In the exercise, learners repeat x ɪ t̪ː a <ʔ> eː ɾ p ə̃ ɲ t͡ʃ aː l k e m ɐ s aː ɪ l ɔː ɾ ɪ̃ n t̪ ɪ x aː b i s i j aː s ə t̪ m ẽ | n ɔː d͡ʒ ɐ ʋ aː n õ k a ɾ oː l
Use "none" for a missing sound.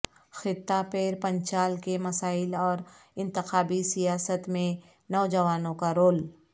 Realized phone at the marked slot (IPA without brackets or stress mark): p